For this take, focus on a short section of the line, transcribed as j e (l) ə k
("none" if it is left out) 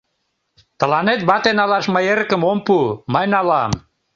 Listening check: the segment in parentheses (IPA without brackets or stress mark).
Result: ɾ